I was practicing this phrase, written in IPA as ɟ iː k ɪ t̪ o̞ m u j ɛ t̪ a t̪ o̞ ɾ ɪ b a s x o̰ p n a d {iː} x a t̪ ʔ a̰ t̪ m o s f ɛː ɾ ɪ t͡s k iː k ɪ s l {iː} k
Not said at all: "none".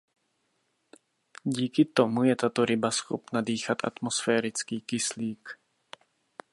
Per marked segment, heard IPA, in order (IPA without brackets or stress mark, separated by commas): iː, iː